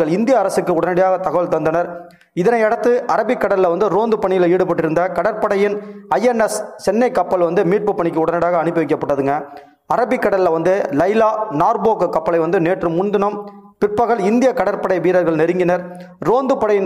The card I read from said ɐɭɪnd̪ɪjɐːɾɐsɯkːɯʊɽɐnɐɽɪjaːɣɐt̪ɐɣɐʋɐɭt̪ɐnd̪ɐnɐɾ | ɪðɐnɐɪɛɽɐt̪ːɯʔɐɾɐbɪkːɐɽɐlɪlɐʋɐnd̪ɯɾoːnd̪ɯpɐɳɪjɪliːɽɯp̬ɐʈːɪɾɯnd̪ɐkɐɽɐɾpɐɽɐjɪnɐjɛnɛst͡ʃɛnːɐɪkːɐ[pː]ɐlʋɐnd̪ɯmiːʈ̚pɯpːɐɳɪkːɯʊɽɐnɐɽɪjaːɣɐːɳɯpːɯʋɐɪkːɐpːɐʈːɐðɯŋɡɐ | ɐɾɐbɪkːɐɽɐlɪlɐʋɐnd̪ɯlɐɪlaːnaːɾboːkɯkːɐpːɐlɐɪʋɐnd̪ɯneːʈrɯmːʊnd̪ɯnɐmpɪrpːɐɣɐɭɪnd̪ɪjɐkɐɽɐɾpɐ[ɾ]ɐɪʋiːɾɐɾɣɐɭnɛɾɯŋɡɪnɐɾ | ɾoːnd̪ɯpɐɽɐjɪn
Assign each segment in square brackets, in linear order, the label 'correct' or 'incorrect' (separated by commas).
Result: correct, incorrect